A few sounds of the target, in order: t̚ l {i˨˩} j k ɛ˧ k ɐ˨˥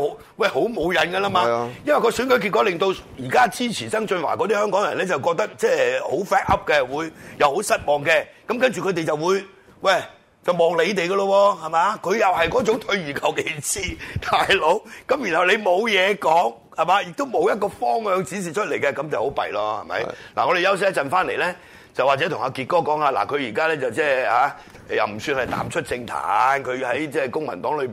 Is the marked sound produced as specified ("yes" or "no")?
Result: no